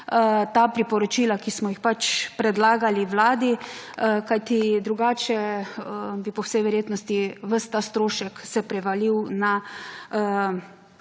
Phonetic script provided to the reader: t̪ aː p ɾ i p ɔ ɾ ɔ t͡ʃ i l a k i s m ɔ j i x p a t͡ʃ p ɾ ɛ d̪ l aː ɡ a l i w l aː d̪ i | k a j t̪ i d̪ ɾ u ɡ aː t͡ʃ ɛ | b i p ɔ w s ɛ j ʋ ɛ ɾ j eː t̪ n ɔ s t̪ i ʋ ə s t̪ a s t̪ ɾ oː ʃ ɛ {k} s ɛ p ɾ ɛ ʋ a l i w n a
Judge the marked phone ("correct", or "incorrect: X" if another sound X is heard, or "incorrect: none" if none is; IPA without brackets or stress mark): correct